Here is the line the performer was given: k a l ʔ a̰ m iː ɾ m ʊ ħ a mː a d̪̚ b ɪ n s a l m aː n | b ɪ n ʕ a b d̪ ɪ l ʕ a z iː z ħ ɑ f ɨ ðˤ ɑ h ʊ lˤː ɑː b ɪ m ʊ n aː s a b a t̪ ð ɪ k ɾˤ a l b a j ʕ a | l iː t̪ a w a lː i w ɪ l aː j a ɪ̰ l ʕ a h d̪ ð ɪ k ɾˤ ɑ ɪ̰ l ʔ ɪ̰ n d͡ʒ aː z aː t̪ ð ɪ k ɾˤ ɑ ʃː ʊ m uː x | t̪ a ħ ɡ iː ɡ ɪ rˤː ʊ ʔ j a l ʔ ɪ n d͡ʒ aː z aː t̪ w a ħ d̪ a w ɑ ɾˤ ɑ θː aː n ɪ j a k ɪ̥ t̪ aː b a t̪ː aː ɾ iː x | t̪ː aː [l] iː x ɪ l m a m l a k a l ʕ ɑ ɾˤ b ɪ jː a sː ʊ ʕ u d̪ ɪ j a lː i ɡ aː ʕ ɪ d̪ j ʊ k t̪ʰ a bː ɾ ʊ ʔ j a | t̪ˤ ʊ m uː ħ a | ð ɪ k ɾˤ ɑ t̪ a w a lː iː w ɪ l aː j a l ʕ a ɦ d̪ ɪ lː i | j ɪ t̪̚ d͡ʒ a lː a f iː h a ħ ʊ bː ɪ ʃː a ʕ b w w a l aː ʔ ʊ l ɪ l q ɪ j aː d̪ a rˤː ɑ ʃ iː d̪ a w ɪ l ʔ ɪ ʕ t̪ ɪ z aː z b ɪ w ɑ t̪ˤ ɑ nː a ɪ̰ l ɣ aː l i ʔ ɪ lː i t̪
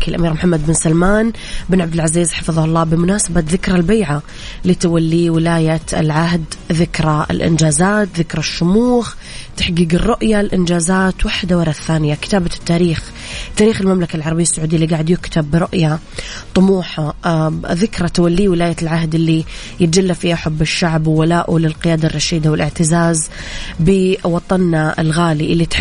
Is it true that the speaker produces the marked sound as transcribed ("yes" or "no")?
no